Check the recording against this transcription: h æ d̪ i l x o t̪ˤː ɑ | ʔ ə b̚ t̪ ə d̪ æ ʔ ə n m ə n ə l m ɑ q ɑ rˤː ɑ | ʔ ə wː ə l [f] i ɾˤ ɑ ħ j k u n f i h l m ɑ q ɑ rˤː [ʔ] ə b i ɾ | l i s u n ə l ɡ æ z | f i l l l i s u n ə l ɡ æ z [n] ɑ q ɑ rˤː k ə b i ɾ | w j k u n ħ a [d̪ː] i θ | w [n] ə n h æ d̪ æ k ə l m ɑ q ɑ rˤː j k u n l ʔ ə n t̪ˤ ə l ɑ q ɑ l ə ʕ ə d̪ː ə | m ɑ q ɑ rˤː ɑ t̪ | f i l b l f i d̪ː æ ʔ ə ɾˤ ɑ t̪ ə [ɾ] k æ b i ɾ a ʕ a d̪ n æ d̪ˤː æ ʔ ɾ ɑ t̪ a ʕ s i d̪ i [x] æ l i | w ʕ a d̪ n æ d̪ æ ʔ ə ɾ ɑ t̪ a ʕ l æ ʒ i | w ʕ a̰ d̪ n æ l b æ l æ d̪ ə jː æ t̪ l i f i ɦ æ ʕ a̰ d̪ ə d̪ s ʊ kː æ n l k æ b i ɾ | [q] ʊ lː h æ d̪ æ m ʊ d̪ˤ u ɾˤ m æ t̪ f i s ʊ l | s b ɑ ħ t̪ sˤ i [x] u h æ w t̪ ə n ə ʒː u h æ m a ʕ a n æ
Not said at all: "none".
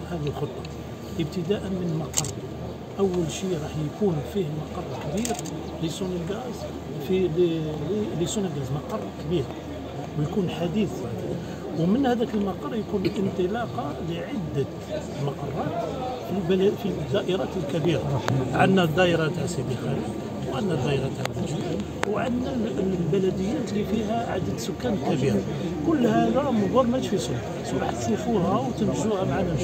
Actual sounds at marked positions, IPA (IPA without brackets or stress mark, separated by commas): ʃ, k, m, d̪, m, l, x, k, f